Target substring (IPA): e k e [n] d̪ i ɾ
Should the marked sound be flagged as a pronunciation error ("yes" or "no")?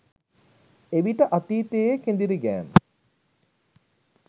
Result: no